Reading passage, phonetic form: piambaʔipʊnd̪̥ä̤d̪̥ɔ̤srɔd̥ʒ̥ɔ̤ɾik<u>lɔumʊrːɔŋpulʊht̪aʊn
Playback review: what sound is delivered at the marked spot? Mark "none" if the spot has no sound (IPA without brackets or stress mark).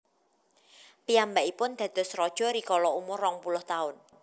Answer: ɔ